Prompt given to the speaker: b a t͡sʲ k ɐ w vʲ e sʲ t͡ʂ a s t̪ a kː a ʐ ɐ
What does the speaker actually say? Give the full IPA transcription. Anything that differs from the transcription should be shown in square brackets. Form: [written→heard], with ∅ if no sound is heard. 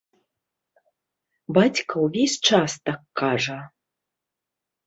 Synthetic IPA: b a t͡sʲ k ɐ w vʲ e sʲ t͡ʂ a s t̪ a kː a ʐ ɐ